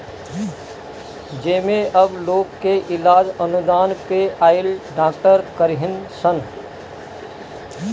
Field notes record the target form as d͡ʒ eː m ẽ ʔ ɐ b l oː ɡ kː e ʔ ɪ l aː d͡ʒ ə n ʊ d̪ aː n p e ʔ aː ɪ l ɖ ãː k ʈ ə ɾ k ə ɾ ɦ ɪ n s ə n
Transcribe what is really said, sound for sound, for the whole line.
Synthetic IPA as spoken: d͡ʒ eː m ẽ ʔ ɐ b l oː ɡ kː e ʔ ɪ l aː d͡ʒ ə n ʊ d̪ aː n p e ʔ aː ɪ l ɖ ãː k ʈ ə ɾ k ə ɾ ɦ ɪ n s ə n